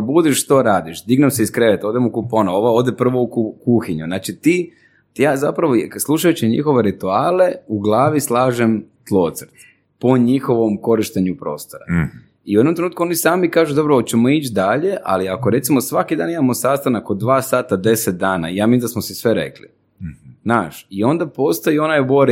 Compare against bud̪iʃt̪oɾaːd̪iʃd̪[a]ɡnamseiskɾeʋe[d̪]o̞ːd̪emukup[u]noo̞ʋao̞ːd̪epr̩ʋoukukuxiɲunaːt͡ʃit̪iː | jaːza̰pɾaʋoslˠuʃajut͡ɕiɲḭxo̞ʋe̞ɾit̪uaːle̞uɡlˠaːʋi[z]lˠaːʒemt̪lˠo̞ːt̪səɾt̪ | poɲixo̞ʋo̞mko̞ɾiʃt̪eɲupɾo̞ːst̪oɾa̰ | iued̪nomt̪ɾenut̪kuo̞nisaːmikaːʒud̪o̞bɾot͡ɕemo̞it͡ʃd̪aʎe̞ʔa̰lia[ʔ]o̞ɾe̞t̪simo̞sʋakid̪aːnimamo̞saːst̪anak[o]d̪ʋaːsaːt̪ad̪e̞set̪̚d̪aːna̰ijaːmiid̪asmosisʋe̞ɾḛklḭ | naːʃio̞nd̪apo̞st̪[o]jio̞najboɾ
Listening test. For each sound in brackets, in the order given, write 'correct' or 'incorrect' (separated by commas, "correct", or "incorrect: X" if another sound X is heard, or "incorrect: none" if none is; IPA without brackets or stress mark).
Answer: incorrect: i, incorrect: t̪, incorrect: o, incorrect: s, incorrect: k, correct, correct